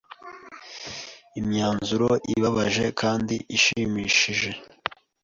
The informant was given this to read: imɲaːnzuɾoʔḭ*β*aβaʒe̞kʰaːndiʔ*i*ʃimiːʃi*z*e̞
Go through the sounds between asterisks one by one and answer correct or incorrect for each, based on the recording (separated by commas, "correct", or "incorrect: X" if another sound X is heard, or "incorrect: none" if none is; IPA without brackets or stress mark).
correct, correct, incorrect: ʒ